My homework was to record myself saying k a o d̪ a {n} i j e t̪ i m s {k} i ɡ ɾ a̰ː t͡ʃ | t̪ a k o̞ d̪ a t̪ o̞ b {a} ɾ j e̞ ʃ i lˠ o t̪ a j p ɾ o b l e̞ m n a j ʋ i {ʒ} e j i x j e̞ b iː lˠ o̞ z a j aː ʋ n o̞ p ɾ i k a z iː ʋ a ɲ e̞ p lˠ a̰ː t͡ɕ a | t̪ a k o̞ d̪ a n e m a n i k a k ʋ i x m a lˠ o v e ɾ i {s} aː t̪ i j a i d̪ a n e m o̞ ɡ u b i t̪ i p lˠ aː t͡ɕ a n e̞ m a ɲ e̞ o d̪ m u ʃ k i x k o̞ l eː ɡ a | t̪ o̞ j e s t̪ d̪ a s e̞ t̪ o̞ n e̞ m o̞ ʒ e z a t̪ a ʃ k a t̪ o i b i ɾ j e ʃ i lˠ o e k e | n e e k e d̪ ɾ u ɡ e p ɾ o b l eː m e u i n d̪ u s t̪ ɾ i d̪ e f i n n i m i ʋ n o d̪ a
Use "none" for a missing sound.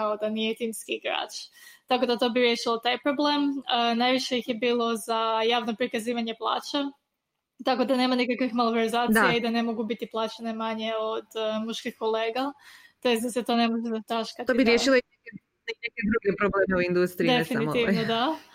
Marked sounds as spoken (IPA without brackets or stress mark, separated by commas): n, k, i, ʃ, z